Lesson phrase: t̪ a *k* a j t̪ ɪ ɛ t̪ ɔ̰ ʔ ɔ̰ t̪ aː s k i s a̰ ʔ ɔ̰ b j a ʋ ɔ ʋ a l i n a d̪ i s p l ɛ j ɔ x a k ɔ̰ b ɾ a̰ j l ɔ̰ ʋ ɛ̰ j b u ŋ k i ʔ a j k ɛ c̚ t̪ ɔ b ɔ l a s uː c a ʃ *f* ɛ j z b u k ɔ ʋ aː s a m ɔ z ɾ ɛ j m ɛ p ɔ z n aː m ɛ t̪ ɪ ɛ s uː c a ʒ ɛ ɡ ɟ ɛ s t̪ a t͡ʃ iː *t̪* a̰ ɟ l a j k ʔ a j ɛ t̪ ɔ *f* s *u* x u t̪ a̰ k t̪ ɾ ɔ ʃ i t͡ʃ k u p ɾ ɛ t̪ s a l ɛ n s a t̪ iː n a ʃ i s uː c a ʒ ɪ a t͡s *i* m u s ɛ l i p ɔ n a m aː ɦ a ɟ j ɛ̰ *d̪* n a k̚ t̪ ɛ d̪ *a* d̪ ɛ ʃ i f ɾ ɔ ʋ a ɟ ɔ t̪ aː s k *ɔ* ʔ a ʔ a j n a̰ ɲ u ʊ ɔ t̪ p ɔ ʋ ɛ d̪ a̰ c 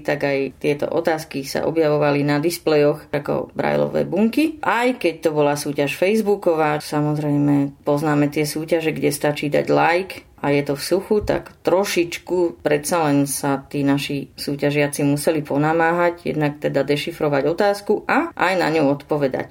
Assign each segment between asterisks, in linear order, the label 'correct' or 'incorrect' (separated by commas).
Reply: incorrect, correct, incorrect, correct, correct, correct, correct, correct, incorrect